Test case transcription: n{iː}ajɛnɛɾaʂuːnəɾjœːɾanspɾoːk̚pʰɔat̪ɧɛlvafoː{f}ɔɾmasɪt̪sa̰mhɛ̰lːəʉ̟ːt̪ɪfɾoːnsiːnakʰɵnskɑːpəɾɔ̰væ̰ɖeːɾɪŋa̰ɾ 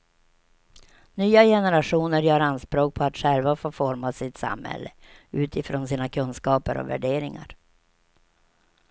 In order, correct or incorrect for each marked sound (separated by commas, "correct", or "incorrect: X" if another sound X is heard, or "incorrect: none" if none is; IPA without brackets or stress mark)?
incorrect: yː, correct